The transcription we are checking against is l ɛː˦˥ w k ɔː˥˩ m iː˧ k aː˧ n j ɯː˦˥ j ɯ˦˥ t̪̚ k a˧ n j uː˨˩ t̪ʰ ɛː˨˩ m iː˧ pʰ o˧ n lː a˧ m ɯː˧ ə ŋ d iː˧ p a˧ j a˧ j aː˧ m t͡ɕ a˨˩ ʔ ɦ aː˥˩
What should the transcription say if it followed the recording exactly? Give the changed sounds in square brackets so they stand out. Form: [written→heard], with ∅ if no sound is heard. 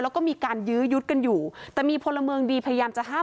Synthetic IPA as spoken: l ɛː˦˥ w k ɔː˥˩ m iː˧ k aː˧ n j ɯː˦˥ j [ɯ˦˥→u˦˥] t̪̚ k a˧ n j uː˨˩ [t̪ʰ→t̪] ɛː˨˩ m iː˧ pʰ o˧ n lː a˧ m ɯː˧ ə ŋ d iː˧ [p→pʰ] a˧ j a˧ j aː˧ m t͡ɕ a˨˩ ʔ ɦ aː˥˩